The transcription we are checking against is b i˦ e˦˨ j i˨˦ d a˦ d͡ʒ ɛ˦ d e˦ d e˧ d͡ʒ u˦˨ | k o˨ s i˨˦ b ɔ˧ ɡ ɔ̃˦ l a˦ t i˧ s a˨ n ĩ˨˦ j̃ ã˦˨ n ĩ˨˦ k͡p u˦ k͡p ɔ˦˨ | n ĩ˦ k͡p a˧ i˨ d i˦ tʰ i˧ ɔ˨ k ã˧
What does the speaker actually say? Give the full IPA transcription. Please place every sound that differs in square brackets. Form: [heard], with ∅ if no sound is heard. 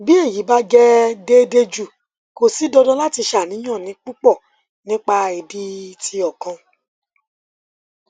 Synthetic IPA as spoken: b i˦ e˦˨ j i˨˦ [b] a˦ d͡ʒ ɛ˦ d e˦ d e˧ d͡ʒ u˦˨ | k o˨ s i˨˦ [d] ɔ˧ [d] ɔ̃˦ l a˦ t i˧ [ʃ] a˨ n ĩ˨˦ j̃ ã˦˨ n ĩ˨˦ k͡p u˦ k͡p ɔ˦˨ | n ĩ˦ k͡p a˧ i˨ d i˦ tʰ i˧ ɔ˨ k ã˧